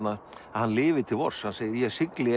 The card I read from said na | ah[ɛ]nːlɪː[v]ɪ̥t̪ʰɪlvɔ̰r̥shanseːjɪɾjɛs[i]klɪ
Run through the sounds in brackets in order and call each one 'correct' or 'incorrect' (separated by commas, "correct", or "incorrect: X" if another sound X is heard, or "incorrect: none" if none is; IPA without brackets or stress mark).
incorrect: a, correct, incorrect: ɪ